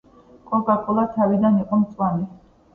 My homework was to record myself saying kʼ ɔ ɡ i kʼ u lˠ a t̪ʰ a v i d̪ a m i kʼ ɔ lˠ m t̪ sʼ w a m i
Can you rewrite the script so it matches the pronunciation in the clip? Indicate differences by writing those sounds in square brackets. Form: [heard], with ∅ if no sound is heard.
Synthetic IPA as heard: kʼ ɔ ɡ [a] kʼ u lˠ a t̪ʰ a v i d̪ a [n] i [qʼ] ɔ [∅] m t̪ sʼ w a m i